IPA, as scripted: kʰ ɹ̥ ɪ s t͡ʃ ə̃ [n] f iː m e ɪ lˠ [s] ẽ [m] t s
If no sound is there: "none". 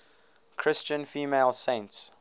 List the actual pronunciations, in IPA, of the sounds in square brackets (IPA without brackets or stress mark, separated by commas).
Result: n, s, n